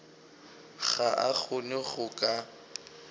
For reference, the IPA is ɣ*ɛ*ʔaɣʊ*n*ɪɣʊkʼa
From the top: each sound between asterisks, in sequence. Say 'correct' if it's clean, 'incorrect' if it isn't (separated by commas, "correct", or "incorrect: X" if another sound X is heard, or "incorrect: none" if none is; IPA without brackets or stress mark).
incorrect: a, correct